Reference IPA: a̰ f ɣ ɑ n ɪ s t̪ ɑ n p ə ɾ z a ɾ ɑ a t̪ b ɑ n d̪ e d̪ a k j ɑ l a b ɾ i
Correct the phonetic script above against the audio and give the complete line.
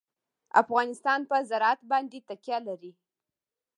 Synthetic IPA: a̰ f ɣ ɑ n ɪ s t̪ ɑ n p ə z a ɾ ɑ a t̪ b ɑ n d̪ e t̪ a k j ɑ l a ɾ i